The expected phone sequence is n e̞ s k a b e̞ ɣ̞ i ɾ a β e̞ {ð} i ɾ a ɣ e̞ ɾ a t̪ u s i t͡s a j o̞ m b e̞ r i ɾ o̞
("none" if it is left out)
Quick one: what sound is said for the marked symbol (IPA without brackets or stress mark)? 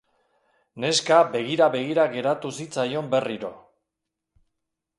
ɣ